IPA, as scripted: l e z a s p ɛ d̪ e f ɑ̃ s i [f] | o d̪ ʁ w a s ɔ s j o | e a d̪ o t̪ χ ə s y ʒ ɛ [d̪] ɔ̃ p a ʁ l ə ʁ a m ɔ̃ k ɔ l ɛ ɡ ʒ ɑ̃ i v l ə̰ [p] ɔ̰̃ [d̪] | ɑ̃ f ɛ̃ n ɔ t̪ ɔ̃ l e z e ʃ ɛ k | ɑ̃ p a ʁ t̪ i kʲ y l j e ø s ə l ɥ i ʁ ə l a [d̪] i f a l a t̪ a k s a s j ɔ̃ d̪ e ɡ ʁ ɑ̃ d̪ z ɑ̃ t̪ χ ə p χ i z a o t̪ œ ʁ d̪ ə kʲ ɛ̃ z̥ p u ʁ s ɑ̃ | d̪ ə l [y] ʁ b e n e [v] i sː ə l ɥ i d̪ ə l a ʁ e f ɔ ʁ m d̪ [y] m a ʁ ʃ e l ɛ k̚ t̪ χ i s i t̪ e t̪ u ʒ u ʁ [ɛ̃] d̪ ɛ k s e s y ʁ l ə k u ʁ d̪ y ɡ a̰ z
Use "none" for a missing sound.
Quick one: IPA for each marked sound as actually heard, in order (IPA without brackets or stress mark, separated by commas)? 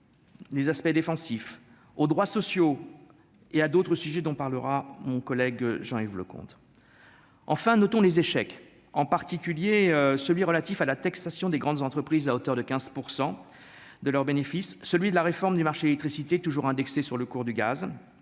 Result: f, d̪, k, t̪, t̪, œ, f, y, ɛ̃